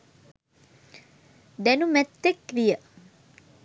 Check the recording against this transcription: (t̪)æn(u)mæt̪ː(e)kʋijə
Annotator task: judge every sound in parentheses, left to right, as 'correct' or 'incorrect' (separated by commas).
incorrect, correct, correct